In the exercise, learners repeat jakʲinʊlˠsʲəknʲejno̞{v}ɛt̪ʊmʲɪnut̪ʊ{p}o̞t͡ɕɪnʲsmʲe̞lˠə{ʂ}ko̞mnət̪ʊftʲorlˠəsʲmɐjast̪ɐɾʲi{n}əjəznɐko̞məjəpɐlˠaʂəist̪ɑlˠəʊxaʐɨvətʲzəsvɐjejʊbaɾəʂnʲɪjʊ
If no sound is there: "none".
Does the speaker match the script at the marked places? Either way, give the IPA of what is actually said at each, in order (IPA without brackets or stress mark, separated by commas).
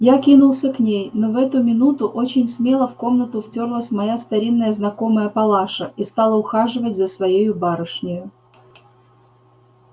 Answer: v, ʔ, f, nː